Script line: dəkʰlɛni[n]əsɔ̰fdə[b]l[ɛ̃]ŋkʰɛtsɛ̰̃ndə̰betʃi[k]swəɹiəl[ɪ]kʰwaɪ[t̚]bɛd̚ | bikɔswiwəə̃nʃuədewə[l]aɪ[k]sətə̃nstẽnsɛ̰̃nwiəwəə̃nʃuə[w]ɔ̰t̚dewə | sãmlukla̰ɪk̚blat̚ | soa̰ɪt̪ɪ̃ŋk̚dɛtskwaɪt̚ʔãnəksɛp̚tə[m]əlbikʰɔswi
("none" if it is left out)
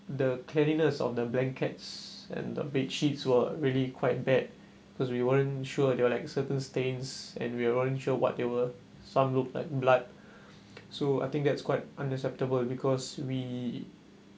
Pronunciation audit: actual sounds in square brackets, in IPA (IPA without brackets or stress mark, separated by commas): n, b, ɛ̃, t, i, t̚, l, k, w, b